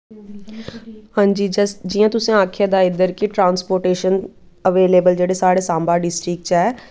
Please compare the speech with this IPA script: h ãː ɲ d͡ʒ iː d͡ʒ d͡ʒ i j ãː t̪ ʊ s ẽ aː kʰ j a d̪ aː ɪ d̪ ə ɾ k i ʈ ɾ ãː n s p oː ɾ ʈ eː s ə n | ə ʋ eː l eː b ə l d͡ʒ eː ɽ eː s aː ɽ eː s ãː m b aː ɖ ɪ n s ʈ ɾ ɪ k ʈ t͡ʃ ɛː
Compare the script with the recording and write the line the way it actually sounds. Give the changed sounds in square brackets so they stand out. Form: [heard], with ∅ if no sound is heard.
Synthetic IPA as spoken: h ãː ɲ d͡ʒ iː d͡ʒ d͡ʒ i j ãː t̪ ʊ s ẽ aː kʰ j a d̪ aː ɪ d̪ ə ɾ k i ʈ ɾ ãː n s p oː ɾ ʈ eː [ʃ] ə n | ə ʋ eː l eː b ə l d͡ʒ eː ɽ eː s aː ɽ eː s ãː m b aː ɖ ɪ [∅] s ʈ ɾ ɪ k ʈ t͡ʃ ɛː